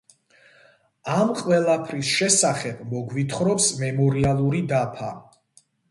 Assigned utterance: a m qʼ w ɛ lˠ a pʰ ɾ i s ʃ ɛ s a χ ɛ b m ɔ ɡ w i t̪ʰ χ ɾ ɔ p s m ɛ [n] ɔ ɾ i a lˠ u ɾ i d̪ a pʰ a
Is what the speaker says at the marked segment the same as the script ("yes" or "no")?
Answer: no